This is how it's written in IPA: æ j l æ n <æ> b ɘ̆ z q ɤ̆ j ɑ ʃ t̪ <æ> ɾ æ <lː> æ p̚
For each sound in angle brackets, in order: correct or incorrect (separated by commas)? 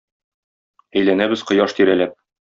correct, incorrect, incorrect